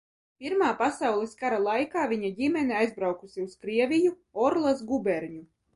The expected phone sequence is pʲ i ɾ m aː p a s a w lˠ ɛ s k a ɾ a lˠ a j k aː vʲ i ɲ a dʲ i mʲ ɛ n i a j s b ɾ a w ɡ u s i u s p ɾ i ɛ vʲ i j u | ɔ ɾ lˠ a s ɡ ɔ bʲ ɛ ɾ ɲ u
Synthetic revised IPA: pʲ i ɾ m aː p a s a w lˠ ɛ s k a ɾ a lˠ a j k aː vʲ i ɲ a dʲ i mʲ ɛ n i a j z b ɾ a w k u s i u s k ɾ i ɛ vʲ i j u | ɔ ɾ lˠ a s ɡ u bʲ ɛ ɾ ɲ u